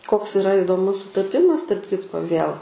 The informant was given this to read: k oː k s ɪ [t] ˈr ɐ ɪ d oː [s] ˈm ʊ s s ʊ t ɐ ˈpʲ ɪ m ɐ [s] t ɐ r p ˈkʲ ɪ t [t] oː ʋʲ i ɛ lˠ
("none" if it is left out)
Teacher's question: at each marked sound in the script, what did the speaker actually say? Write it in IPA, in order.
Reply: none, none, s, k

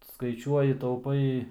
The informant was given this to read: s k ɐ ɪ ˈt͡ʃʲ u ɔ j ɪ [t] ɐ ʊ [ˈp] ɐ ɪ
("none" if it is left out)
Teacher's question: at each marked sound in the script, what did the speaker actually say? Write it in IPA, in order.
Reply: t, p

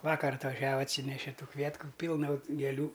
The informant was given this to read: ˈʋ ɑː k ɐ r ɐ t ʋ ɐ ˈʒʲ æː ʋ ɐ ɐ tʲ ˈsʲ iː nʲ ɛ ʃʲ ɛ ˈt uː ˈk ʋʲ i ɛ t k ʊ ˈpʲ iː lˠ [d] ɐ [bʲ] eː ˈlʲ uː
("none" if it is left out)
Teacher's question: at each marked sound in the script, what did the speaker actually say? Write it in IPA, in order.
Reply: n, ɡʲ

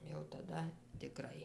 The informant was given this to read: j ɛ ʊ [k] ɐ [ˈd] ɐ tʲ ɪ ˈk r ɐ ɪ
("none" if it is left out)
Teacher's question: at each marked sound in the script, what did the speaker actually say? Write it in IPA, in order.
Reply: t, d

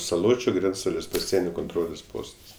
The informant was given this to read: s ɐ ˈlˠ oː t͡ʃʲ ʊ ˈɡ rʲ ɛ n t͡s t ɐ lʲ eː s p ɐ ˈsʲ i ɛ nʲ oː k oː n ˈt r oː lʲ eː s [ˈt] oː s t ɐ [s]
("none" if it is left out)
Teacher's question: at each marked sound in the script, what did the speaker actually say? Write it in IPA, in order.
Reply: p, s

